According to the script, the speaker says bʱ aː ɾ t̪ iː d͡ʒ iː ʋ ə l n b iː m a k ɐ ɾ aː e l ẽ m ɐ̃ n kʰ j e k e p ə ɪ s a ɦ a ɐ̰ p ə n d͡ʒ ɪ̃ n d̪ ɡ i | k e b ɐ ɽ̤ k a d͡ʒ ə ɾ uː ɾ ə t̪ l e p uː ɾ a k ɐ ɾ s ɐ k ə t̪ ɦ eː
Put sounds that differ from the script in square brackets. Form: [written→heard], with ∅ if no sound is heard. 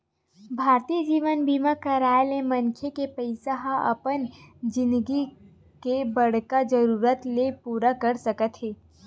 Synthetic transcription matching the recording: bʱ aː ɾ t̪ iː d͡ʒ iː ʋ ə [l→∅] n b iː m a k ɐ ɾ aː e l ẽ m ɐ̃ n kʰ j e k e p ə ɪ s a ɦ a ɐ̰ p ə n d͡ʒ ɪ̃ n d̪ ɡ i | k e b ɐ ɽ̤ k a d͡ʒ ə ɾ uː ɾ ə t̪ l e p uː ɾ a k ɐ ɾ s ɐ k ə t̪ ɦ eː

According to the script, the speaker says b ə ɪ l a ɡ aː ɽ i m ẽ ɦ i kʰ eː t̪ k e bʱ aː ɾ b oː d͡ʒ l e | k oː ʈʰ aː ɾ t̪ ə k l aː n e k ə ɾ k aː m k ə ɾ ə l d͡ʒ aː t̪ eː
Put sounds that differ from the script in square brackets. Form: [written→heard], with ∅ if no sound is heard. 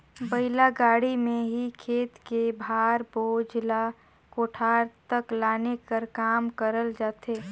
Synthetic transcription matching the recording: b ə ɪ l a ɡ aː ɽ i m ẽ ɦ i kʰ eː t̪ k e bʱ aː ɾ b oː d͡ʒ l [e→a] | k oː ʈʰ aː ɾ t̪ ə k l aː n e k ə ɾ k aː m k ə ɾ ə l d͡ʒ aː t̪ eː

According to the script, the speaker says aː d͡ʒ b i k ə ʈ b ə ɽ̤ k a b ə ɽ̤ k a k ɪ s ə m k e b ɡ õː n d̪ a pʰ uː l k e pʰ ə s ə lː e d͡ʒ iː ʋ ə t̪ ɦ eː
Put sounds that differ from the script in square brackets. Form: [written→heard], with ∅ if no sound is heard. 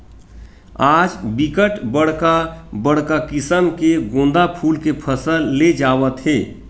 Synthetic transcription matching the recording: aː d͡ʒ b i k ə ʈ b ə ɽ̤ k a b ə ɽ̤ k a k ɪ s ə m k e [b→∅] ɡ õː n d̪ a pʰ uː l k e pʰ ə s ə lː e d͡ʒ [iː→aː] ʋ ə t̪ ɦ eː

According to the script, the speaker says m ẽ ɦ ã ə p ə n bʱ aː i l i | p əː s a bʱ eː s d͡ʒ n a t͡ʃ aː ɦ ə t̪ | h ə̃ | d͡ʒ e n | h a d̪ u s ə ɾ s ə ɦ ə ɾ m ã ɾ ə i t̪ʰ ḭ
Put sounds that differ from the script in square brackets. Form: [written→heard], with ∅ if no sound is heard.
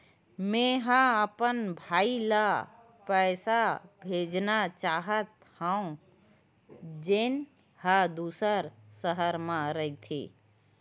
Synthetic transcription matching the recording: m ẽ ɦ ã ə p ə n bʱ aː i l [i→a] | p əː s a bʱ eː [s→∅] d͡ʒ n a t͡ʃ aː ɦ ə t̪ | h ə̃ | d͡ʒ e n | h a d̪ u s ə ɾ s ə ɦ ə ɾ m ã ɾ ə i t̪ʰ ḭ

